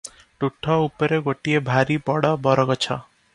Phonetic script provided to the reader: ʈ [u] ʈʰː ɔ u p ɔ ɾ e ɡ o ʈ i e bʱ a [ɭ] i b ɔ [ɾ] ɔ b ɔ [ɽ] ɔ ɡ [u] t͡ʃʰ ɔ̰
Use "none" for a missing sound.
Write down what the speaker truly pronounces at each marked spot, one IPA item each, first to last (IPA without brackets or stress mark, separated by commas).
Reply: u, ɾ, ɽ, ɾ, ɔ